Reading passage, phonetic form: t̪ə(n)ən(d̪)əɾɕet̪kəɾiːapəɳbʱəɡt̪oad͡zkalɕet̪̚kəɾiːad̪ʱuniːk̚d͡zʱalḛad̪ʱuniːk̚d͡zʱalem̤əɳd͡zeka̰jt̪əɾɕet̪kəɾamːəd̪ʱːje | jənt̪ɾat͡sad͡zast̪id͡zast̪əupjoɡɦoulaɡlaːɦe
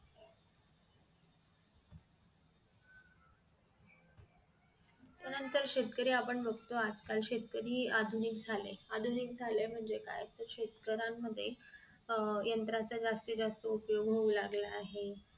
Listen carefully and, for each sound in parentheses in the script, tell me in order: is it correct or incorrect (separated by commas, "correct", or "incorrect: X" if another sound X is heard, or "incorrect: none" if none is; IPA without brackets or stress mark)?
correct, incorrect: t̪